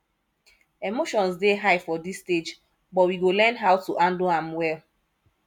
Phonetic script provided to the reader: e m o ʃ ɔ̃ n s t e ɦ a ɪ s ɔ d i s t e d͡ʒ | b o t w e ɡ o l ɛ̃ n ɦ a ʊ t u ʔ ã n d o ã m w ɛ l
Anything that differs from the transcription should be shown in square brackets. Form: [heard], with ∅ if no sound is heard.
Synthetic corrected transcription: e m o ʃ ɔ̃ n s [d] e ɦ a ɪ [f] ɔ d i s t e d͡ʒ | b [ɔ] t w [i] ɡ o l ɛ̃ n ɦ a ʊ t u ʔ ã n d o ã m w ɛ l